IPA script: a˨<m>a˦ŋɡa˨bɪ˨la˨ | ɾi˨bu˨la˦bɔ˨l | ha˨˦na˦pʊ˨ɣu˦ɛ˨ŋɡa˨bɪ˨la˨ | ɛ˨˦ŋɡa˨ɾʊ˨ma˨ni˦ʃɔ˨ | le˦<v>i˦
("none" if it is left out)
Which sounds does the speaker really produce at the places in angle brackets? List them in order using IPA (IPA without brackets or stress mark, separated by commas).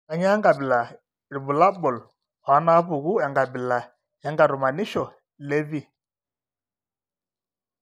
ɲ, v